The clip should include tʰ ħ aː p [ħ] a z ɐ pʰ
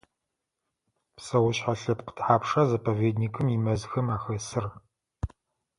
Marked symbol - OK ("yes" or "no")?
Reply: no